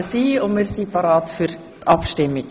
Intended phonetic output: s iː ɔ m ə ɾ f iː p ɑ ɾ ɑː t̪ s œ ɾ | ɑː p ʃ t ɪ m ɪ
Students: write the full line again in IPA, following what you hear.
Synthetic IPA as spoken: s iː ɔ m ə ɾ s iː p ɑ ɾ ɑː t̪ f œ ɾ | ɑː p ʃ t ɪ m ɪ